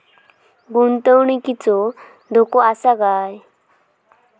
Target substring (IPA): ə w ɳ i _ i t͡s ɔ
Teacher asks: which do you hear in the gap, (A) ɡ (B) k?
B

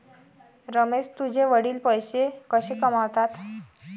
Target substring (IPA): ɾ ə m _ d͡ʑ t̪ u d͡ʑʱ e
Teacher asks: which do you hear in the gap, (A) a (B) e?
B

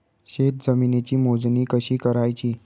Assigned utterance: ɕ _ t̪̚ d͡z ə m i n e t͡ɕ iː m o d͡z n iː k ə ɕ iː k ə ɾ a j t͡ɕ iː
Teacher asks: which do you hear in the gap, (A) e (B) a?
A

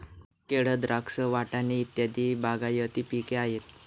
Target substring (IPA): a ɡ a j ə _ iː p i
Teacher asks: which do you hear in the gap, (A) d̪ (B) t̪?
B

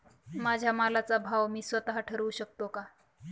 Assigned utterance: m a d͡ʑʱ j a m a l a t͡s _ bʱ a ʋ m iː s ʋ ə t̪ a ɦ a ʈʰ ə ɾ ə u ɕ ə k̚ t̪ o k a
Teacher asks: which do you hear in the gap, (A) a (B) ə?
A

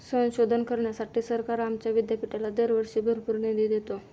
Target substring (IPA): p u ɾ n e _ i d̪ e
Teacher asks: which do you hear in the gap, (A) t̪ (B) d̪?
B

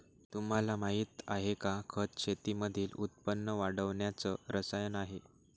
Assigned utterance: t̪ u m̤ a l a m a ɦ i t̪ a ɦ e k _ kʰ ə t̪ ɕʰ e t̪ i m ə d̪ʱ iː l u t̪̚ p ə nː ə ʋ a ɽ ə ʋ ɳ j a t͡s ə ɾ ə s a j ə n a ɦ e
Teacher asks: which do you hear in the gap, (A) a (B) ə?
A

